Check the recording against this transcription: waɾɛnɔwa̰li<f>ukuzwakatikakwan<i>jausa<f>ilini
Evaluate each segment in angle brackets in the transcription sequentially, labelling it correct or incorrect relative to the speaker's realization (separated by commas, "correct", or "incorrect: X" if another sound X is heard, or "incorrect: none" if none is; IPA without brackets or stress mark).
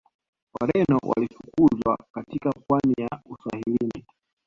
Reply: correct, correct, incorrect: h